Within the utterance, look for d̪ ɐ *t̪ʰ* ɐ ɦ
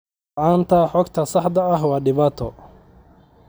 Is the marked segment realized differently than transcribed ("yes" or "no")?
yes